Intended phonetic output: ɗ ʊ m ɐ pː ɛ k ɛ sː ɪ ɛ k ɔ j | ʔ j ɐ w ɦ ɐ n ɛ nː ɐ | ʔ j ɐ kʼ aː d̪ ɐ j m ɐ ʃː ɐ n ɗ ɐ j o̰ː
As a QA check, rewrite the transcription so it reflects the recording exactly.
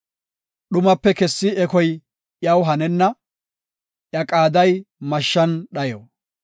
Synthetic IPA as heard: ɗ ʊ m ɐ pː ɛ k ɛ sː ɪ ɛ k ɔ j | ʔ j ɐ w ɦ ɐ n ɛ nː ɐ | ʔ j ɐ kʼ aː d̪ ɐ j m ɐ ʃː ɐ n ɗ ɐ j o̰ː